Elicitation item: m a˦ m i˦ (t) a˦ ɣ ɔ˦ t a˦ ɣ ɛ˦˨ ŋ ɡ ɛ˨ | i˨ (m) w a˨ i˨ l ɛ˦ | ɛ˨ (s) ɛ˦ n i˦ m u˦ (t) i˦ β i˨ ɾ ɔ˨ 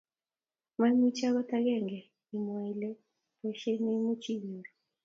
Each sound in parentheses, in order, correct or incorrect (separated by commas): incorrect, correct, incorrect, incorrect